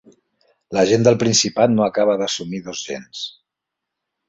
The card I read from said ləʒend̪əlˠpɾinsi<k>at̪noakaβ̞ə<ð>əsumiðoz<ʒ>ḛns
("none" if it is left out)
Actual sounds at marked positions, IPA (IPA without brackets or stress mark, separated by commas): p, ð, ʒ